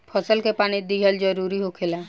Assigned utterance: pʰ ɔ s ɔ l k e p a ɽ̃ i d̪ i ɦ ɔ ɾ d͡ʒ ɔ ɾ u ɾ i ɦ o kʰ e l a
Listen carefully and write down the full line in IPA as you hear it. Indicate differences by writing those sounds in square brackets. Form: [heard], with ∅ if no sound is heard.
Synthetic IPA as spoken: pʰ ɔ s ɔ l k e p a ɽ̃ i d̪ i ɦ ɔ [l] d͡ʒ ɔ ɾ u ɾ i ɦ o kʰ e l a